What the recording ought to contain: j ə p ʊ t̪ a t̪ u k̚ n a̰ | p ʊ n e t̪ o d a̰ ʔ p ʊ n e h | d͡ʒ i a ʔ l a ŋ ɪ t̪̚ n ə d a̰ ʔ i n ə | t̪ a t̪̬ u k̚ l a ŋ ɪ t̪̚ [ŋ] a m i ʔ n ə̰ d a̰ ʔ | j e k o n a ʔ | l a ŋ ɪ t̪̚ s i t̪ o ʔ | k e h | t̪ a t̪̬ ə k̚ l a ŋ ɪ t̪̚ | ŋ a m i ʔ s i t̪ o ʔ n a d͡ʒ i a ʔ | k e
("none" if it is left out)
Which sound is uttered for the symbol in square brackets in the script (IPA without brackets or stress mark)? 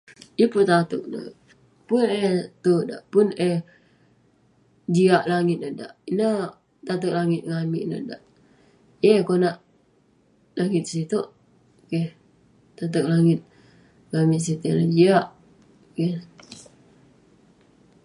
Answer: ŋ